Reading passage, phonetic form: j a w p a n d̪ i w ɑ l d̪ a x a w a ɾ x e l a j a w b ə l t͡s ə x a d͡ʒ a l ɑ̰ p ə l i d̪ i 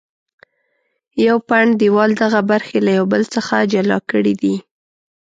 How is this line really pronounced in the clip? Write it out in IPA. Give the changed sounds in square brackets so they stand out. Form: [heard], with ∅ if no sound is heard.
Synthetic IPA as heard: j a w p a [ɳ] d̪ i w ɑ l d̪ a [ɣ] a [b] a ɾ x e l a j a w b ə l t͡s ə x a d͡ʒ a l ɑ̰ [k] ə [ɽ] i d̪ i